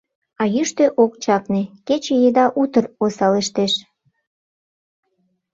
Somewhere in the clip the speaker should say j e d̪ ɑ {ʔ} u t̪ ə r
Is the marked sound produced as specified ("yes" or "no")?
yes